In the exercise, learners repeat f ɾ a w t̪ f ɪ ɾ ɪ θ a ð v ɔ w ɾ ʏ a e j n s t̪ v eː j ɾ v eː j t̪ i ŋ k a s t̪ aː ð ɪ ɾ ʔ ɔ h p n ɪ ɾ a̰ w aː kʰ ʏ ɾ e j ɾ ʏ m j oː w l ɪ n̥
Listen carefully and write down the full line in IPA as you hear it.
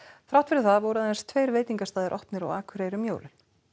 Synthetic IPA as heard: f ɾ a w t̪ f ɪ ɾ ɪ θ a ð v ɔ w ɾ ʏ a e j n s t̪ʰ v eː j ɾ v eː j t̪ i ŋ k a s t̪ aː ð ɪ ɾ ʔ ɔ h p n ɪ ɾ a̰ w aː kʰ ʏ ɾ e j ɾ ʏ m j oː w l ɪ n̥